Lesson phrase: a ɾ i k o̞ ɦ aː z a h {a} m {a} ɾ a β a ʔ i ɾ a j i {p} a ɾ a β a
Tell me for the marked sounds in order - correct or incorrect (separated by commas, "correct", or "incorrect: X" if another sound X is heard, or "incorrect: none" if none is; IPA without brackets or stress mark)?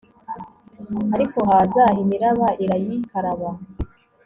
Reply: incorrect: i, incorrect: i, incorrect: k